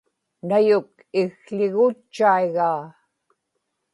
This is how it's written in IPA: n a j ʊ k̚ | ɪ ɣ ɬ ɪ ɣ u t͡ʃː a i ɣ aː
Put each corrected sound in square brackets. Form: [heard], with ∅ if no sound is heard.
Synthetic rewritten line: n a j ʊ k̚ | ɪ ɣ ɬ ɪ ɣ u t͡ʃː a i ɣ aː